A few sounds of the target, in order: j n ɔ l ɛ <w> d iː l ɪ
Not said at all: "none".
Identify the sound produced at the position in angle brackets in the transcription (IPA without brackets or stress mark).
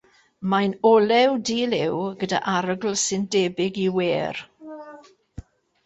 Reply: w